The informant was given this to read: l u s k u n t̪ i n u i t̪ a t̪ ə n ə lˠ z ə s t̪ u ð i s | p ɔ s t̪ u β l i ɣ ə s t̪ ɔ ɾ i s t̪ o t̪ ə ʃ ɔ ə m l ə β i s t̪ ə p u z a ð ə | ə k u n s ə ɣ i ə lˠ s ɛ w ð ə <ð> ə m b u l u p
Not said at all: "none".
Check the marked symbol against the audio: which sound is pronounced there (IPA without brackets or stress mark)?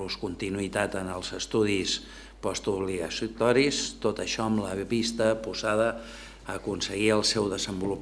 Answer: z